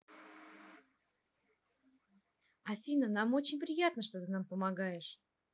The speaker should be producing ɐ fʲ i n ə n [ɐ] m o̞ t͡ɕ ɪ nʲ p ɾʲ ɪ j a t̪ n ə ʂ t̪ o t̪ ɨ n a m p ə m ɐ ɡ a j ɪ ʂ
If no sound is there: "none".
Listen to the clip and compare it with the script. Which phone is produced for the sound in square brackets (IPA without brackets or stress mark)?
a